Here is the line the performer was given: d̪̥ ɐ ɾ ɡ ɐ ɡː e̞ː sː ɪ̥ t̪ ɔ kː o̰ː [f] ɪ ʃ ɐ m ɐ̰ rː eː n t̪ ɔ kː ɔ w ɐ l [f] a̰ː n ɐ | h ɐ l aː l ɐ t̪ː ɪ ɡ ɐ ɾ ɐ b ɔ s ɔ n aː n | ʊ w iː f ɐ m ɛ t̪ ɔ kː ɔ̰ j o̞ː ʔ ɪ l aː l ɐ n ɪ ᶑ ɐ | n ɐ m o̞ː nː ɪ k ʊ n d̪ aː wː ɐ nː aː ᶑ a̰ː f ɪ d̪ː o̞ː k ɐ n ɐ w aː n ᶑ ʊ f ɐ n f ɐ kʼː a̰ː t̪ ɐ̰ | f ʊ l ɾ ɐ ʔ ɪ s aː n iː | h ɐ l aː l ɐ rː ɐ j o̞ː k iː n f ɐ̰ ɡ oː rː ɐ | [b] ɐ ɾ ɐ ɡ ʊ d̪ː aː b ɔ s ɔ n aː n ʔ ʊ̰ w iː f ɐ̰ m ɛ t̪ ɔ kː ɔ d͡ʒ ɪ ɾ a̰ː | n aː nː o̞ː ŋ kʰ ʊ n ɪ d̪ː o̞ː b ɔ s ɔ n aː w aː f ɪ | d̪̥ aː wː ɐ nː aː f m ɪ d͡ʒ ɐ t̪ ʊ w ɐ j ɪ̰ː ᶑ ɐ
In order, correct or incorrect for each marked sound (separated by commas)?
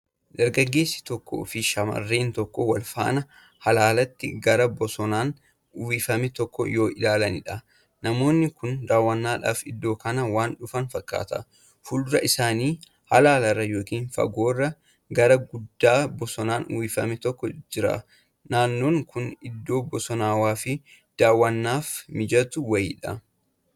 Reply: correct, correct, incorrect